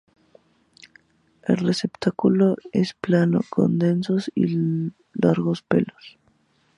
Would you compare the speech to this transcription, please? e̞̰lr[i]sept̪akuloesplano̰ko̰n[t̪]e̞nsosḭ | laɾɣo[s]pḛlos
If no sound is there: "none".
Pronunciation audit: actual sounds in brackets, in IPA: e, d̪, s

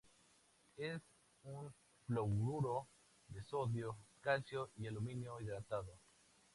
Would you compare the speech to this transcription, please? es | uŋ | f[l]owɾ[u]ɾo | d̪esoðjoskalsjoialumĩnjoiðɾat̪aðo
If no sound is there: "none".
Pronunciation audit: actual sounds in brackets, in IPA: l, u

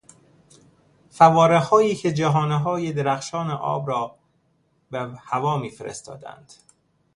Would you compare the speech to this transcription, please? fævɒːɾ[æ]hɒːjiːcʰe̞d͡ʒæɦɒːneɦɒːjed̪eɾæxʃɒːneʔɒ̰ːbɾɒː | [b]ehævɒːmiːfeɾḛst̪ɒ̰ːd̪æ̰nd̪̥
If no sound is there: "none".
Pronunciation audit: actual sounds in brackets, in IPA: e, b

